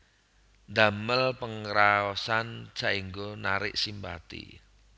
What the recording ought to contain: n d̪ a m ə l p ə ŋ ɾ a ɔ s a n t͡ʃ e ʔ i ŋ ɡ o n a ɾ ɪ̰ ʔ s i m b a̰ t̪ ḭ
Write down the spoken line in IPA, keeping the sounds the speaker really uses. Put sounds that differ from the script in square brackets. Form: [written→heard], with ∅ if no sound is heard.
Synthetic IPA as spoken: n d̪ a m ə l p ə ŋ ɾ a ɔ s a n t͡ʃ [e→a] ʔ i ŋ ɡ o n a ɾ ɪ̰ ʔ s i m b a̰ t̪ ḭ